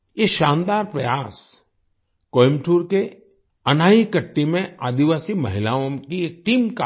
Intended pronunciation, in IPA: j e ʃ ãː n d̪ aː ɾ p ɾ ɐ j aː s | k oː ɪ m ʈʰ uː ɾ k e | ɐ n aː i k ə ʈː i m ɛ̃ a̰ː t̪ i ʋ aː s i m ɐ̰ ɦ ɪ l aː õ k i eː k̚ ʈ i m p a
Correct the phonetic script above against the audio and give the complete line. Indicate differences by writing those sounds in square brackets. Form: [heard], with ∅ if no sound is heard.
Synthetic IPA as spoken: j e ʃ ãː n d̪ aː ɾ p ɾ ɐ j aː s | k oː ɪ m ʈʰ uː ɾ k e | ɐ n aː i k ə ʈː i m [ẽ] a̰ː [d̪] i ʋ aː s i m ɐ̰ ɦ ɪ l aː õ k i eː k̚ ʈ [iː] m [k] a